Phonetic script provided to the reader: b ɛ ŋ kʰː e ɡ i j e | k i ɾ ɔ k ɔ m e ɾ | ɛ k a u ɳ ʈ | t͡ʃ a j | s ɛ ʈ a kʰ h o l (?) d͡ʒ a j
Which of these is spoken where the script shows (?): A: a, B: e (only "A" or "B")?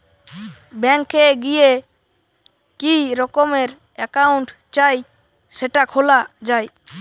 A